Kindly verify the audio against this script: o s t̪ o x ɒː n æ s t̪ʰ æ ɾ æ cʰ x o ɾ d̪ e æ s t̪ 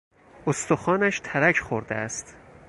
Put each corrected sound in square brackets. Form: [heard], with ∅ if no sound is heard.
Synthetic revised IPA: o s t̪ o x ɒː n æ [ʃ] t̪ʰ æ ɾ æ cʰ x o ɾ d̪ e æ s t̪